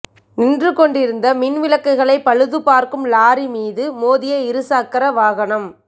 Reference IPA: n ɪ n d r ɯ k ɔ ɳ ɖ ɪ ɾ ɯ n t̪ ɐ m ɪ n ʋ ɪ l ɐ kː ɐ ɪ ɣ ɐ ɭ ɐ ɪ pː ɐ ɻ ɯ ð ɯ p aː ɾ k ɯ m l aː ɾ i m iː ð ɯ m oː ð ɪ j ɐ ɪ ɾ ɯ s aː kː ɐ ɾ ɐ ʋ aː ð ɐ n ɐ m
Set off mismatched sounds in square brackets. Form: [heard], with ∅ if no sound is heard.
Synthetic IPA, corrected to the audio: n ɪ n d r ɯ k ɔ ɳ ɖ ɪ ɾ ɯ n [d̪] ɐ m ɪ n ʋ ɪ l ɐ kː ɐ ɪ ɣ ɐ ɭ ɐ ɪ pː ɐ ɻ ɯ ð ɯ p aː ɾ k ɯ m l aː ɾ i m iː ð ɯ m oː ð ɪ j ɐ ɪ ɾ ɯ s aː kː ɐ ɾ ɐ ʋ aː [ɣ] ɐ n ɐ m